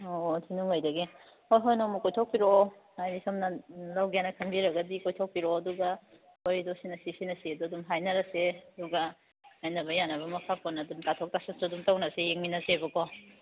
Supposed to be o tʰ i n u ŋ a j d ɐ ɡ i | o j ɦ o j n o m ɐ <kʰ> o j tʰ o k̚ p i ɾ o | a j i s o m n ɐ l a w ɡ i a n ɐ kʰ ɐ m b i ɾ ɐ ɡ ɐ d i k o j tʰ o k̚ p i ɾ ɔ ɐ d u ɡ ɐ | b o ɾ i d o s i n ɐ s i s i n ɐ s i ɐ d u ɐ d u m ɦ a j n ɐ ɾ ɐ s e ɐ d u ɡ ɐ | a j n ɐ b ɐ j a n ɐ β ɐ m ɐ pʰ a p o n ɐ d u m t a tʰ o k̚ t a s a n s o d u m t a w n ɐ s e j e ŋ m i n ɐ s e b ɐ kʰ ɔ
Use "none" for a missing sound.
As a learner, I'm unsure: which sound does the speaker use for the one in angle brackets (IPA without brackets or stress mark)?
k